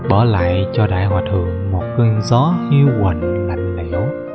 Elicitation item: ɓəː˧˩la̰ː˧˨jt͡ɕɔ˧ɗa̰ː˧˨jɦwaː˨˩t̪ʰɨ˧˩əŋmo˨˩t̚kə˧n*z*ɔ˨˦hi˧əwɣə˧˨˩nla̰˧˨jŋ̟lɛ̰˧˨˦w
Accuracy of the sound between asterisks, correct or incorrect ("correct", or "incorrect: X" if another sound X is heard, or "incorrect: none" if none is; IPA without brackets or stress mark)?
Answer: correct